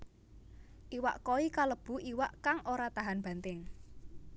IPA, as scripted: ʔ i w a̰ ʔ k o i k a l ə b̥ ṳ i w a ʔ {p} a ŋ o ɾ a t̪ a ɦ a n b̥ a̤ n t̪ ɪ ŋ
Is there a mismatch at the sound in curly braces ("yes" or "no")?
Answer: yes